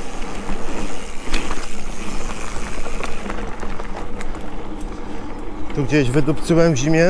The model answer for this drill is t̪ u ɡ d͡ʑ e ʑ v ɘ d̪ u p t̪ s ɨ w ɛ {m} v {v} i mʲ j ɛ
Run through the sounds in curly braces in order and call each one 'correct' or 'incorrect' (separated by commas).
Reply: correct, incorrect